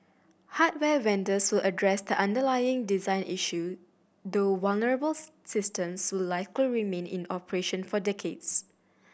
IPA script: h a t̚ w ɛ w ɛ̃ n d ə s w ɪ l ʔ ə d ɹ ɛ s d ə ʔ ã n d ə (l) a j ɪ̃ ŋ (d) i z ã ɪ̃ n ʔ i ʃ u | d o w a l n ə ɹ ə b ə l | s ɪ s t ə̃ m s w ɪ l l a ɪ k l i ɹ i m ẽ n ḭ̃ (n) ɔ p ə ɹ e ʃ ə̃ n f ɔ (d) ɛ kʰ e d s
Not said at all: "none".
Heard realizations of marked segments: l, d, n, d

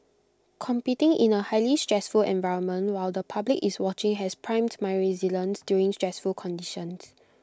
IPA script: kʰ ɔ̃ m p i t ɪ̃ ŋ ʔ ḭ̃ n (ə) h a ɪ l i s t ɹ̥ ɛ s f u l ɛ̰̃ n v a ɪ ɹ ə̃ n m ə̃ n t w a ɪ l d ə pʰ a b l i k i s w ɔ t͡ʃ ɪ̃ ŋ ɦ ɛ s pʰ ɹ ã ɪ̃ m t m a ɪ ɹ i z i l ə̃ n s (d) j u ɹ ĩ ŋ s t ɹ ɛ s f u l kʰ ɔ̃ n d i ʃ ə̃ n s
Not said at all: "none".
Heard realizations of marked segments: ə, d

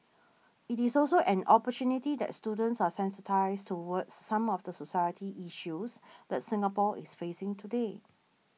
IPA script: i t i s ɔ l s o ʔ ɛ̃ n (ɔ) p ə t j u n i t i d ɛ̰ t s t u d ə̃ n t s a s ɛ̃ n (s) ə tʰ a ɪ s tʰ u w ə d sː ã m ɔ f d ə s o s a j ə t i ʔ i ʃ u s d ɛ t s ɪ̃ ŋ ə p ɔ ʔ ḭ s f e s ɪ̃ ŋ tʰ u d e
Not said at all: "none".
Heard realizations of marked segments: ɔ, s

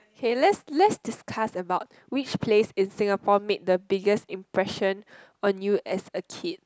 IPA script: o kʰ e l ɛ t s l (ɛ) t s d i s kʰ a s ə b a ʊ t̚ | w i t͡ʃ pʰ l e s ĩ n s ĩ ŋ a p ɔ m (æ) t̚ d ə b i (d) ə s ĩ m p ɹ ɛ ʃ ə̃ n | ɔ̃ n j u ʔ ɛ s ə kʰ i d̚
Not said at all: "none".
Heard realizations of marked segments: ɛ, e, ɡ

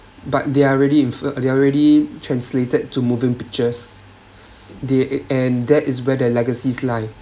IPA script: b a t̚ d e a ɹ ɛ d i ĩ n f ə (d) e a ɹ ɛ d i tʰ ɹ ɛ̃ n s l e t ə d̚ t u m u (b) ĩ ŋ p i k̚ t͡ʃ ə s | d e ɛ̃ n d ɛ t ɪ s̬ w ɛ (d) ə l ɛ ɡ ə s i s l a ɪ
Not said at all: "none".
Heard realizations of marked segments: d, v, d

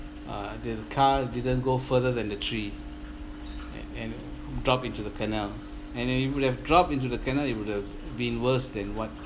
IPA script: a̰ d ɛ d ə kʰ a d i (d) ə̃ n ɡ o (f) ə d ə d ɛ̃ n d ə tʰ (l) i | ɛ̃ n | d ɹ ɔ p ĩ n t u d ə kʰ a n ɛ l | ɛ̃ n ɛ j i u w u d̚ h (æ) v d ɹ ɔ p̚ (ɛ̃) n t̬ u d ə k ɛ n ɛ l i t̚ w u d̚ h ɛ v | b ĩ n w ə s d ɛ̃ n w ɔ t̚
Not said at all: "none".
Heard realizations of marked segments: d, f, ɹ, ɛ, ĩ

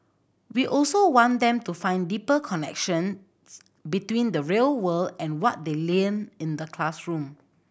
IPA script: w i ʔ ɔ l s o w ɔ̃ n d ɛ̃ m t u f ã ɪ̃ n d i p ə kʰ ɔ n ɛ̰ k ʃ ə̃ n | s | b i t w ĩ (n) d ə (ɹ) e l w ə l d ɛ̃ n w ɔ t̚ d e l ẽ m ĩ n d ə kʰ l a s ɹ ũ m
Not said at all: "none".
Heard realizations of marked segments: n, ɹ

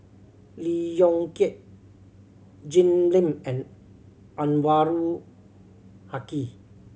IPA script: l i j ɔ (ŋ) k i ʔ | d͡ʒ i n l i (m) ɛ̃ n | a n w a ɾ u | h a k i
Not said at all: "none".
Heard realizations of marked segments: ŋ, m

